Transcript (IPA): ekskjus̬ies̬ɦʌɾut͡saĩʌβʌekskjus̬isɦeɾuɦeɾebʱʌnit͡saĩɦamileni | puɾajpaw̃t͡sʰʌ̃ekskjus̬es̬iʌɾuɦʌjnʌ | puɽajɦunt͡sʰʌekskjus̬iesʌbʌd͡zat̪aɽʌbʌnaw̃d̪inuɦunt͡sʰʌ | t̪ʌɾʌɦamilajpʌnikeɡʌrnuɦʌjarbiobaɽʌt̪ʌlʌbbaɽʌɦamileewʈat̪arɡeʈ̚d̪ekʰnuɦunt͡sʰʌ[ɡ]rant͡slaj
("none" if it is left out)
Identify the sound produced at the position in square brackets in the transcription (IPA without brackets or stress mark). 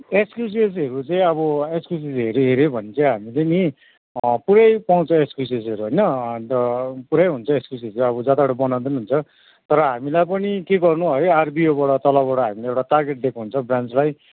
b